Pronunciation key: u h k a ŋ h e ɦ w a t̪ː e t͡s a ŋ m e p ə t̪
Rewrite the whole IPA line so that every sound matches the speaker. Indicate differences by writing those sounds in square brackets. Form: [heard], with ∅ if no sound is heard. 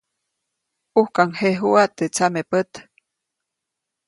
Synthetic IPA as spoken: u h k a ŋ h e ɦ [u] a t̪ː e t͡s a [∅] m e p ə t̪